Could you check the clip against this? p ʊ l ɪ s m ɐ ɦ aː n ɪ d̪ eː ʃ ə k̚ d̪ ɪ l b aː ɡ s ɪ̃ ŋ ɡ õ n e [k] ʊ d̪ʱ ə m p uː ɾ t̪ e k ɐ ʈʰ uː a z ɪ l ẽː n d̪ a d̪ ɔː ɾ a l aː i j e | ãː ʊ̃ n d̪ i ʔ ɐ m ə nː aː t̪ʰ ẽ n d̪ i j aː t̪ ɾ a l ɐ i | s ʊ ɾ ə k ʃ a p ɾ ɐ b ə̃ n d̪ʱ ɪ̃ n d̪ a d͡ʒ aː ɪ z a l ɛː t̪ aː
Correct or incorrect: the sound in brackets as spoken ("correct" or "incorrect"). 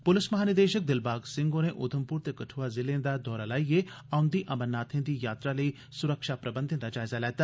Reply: incorrect